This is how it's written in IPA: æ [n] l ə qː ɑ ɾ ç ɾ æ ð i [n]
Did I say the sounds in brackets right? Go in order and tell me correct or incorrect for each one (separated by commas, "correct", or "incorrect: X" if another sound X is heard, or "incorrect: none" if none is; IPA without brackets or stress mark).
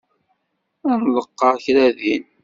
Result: correct, correct